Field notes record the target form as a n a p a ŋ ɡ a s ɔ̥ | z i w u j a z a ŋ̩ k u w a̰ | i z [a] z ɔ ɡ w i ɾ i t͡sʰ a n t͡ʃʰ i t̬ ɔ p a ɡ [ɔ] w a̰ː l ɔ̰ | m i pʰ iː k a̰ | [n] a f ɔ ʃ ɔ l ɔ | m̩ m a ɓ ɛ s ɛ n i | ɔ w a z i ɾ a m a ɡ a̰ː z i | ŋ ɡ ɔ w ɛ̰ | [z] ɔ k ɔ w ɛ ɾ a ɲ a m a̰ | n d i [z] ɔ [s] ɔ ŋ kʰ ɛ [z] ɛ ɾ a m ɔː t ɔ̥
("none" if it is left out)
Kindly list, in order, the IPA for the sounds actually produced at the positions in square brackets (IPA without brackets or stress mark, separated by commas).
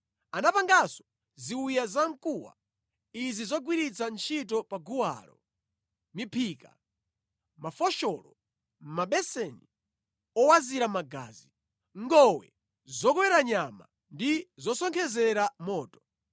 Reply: i, u, m, z, z, s, z